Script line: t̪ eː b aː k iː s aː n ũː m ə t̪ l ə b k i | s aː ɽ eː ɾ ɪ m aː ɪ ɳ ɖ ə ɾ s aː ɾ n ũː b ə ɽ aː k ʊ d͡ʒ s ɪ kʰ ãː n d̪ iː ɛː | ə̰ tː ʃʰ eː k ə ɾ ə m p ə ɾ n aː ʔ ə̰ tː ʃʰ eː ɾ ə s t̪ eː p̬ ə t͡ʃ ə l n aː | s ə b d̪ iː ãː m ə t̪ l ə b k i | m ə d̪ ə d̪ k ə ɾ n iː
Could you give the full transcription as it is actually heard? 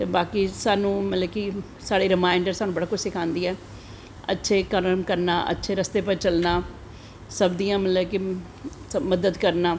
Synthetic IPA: t̪ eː b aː k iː s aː n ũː m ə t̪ l ə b k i | s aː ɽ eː ɾ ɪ m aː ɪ ɳ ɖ ə ɾ s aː n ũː b ə ɽ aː k ʊ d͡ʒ s ɪ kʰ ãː n d̪ iː ɛː | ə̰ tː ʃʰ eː k ə ɾ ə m k ə ɾ n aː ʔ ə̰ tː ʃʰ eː ɾ ə s t̪ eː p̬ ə t͡ʃ ə l n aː | s ə b d̪ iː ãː m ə t̪ l ə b k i | m ə d̪ ə d̪ k ə ɾ n aː